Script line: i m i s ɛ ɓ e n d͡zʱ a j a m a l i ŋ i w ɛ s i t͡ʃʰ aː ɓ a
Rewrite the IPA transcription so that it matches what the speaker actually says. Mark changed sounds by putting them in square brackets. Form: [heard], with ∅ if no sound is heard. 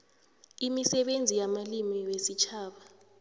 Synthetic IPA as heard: i m i s ɛ ɓ e n d͡zʱ [i] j a m a l i [m] i w [e] s i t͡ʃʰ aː ɓ a